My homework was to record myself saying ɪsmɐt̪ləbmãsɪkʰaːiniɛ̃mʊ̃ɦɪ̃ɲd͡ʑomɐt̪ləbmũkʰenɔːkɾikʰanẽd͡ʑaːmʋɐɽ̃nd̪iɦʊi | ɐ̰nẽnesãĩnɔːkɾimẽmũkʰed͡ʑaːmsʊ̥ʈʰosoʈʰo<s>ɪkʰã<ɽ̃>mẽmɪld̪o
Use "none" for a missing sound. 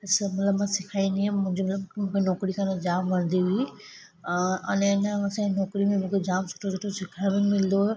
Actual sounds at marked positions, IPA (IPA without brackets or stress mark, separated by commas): s, none